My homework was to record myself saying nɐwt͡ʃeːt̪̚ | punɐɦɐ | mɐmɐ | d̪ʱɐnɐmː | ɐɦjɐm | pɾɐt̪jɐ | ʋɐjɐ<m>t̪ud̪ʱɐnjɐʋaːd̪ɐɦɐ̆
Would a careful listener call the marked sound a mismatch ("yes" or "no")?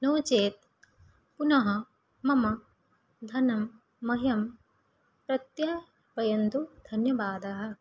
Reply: yes